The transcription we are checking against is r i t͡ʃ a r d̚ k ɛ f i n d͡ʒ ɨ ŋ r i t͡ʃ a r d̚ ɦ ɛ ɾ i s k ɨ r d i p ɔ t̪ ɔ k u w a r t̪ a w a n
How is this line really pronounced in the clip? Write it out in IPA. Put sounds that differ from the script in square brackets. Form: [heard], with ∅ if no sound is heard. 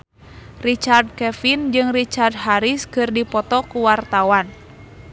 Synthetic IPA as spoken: r i t͡ʃ a r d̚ k ɛ f i n d͡ʒ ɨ ŋ r i t͡ʃ a r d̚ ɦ [a] ɾ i s k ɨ r d i p ɔ t̪ ɔ k u w a r t̪ a w a n